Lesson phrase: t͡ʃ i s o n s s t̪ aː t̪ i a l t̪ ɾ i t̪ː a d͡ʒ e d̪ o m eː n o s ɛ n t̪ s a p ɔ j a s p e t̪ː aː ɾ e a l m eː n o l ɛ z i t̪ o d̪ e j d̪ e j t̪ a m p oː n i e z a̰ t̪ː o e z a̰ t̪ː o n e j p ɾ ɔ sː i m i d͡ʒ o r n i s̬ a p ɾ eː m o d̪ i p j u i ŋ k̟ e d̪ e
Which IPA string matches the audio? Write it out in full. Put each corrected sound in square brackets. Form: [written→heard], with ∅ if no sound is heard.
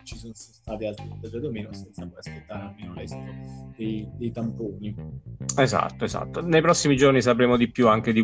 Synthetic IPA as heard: t͡ʃ i s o n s s t̪ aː t̪ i a l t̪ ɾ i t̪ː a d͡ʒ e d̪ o m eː n o s ɛ n t̪ s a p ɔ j a s p e t̪ː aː ɾ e a l m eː n o l ɛ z i t̪ o d̪ e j d̪ e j t̪ a m p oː n i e z a̰ t̪ː o e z a̰ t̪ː o n e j p ɾ ɔ sː i m i d͡ʒ o r n i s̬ a p ɾ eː m o d̪ i p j u [i→a] ŋ k̟ e d̪ [e→i]